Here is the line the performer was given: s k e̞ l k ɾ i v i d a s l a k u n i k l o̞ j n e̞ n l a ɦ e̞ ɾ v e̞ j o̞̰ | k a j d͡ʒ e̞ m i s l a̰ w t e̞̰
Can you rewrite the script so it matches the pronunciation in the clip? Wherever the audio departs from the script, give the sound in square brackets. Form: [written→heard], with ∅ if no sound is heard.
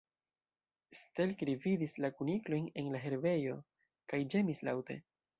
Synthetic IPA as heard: s [k→t] e̞ l k ɾ i v i d [a→i] s l a k u n i k l o̞ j n e̞ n l a ɦ e̞ ɾ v e̞ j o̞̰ | k a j d͡ʒ e̞ m i s l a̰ w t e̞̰